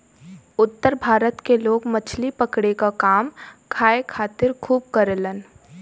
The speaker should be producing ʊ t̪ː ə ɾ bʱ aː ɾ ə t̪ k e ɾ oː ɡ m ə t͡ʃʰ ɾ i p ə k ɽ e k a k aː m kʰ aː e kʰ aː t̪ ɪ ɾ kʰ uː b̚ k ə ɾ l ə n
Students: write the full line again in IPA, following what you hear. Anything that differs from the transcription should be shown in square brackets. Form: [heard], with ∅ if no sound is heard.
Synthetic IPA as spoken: ʊ t̪ː ə ɾ bʱ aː ɾ ə t̪ k e [l] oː ɡ m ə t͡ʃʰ [l] i p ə k ɽ e k a k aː m kʰ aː e kʰ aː t̪ ɪ ɾ kʰ uː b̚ k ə ɾ l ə n